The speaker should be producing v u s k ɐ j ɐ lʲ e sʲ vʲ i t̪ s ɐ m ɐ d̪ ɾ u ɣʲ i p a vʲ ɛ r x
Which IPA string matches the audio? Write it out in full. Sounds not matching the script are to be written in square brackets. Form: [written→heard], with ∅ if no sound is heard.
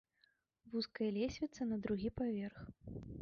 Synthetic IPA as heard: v u s k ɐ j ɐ lʲ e sʲ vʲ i t̪ s ɐ [m→n] ɐ d̪ ɾ u ɣʲ i p a vʲ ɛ r x